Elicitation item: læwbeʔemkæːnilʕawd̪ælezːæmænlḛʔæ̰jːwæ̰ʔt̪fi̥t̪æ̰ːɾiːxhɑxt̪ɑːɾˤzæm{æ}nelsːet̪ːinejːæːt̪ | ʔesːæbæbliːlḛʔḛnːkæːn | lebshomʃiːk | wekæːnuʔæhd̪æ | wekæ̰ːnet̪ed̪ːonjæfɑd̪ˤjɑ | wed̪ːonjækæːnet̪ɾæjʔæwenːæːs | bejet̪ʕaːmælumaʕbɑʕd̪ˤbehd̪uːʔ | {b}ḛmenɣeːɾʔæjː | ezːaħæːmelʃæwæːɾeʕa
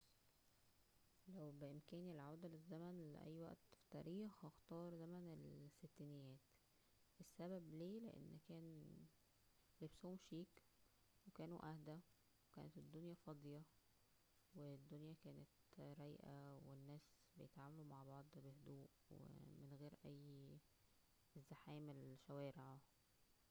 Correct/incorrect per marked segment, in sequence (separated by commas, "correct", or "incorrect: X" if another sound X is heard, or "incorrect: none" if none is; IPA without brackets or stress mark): correct, incorrect: w